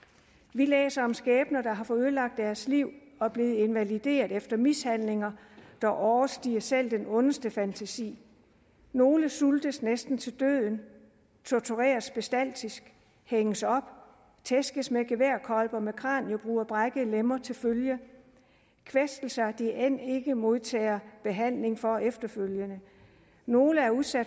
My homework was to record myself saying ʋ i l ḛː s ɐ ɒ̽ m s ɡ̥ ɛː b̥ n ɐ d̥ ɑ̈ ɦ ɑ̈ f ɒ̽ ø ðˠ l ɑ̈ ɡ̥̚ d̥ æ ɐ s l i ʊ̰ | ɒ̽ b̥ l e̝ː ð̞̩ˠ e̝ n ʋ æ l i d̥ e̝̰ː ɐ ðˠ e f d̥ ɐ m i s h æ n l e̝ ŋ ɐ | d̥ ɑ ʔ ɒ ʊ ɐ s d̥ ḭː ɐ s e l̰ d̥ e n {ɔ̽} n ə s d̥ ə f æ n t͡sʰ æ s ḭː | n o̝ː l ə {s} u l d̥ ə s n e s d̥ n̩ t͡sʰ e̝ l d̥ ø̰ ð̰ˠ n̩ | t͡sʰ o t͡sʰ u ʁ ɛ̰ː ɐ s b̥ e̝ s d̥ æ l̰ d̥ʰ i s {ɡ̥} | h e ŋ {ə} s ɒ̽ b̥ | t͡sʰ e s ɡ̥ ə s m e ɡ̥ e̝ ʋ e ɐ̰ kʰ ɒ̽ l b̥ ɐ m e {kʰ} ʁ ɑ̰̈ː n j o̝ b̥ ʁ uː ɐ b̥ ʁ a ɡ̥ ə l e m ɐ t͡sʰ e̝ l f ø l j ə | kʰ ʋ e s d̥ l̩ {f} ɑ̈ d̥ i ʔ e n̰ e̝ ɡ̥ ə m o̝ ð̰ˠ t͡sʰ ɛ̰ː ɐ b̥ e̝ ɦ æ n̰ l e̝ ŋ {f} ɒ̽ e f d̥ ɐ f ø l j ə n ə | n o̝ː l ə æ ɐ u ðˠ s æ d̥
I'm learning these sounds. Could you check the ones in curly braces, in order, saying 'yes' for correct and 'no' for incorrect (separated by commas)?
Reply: yes, yes, yes, yes, yes, no, yes